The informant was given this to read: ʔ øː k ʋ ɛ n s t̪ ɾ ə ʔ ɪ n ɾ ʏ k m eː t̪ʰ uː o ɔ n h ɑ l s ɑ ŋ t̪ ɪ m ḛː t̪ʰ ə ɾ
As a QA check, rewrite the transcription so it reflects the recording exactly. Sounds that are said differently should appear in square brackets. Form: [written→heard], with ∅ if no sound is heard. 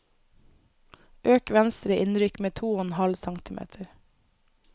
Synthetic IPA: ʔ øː k ʋ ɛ n s t̪ ɾ ə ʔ ɪ n ɾ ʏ k m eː t̪ʰ uː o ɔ n h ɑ l s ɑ ŋ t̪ ɪ m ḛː t̪ʰ ə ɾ